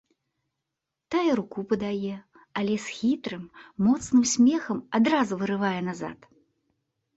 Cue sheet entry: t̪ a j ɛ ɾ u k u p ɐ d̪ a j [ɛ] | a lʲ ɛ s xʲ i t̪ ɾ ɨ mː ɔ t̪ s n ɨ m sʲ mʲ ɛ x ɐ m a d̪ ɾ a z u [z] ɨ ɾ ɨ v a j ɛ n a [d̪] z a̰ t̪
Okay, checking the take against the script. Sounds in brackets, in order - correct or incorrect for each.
correct, incorrect, incorrect

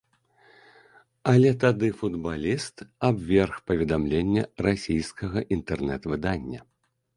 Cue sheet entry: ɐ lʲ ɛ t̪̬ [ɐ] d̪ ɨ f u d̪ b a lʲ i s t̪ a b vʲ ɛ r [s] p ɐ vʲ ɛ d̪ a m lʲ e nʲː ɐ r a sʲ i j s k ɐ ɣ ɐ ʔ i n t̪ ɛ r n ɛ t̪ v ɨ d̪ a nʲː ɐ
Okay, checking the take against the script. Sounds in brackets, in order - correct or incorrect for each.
incorrect, incorrect

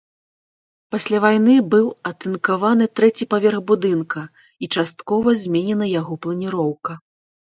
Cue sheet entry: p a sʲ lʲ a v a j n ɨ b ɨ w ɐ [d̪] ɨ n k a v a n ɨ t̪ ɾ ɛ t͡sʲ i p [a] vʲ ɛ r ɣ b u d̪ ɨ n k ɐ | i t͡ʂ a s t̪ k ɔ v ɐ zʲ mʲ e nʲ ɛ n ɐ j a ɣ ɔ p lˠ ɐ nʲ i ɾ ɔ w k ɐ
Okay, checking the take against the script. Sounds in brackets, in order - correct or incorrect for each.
incorrect, correct

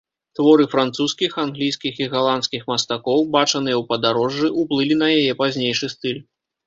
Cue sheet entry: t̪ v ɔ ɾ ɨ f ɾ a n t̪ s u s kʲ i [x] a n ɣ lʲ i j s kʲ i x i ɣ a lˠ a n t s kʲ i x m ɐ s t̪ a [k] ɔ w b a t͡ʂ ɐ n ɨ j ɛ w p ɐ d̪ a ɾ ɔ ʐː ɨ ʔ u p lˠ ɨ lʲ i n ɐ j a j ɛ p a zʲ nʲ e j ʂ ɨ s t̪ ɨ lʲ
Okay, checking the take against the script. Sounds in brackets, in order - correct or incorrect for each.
correct, correct

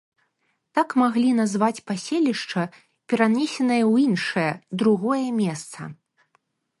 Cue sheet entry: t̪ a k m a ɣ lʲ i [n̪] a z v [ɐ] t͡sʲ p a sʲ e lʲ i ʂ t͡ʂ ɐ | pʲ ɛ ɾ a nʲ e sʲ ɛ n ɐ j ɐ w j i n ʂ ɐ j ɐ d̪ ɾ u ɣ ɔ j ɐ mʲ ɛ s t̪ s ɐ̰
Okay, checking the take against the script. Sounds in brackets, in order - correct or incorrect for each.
correct, incorrect

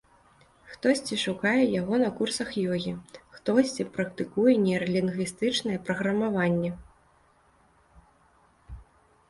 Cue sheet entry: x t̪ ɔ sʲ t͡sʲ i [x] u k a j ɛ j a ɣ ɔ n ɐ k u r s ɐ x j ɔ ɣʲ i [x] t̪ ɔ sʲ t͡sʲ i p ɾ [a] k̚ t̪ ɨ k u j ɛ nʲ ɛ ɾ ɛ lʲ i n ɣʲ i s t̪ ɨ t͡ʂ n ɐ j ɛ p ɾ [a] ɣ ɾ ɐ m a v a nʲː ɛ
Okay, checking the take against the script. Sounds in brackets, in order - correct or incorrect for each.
incorrect, correct, incorrect, incorrect

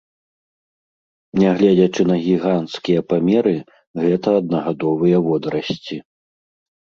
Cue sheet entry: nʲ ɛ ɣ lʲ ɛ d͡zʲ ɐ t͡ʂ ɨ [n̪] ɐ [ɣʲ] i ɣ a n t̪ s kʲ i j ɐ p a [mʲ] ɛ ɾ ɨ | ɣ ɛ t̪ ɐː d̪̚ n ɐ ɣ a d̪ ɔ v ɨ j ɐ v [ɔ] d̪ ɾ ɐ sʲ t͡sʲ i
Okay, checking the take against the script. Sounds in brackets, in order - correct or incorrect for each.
correct, correct, correct, correct

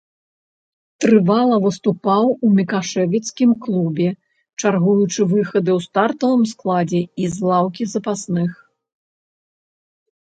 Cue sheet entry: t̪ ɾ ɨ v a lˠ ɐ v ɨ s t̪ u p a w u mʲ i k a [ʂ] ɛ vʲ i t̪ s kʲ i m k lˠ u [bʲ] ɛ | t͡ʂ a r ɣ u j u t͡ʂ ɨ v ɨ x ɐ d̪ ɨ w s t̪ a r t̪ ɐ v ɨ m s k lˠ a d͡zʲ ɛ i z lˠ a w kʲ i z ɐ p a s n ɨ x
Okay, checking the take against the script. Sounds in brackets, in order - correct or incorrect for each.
correct, correct

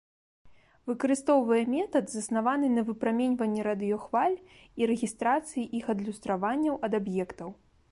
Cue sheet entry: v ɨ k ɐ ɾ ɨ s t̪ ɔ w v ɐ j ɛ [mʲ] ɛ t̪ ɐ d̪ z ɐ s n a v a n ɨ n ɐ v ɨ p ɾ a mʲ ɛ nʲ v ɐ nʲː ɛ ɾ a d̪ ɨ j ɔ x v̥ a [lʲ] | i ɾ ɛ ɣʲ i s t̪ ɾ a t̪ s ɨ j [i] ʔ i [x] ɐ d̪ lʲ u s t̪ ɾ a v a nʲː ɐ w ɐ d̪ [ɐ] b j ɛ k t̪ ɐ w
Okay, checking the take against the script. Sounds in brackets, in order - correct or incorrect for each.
correct, correct, correct, correct, incorrect

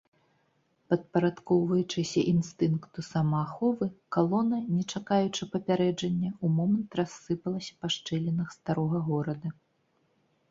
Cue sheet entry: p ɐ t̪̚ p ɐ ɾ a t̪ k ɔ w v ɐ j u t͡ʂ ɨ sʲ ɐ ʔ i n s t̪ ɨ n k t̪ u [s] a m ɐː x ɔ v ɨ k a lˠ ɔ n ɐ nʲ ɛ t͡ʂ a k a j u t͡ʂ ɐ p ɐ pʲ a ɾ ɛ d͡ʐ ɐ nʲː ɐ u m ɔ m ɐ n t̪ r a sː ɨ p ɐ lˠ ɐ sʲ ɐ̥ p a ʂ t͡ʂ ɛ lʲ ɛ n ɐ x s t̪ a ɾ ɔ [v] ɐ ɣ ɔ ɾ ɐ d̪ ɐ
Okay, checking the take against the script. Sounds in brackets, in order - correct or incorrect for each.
correct, incorrect

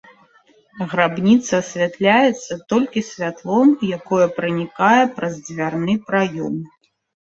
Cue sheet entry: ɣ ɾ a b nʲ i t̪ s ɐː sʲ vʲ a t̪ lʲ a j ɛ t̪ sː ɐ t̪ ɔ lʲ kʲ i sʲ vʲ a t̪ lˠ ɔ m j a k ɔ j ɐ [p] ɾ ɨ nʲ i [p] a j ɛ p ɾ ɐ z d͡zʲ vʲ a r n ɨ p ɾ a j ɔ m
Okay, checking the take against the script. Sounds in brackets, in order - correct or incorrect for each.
correct, incorrect

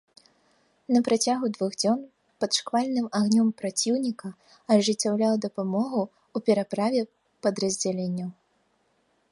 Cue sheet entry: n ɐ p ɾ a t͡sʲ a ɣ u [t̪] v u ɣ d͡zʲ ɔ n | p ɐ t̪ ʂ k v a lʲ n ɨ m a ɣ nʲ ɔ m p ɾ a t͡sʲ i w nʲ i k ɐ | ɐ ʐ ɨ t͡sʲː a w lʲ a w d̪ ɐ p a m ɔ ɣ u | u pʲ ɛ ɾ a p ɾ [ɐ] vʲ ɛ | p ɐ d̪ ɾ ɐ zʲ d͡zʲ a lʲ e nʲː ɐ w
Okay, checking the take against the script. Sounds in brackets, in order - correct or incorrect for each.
incorrect, incorrect

